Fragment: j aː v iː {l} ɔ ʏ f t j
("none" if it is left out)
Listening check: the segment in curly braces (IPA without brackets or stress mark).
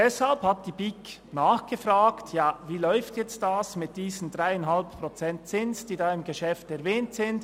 l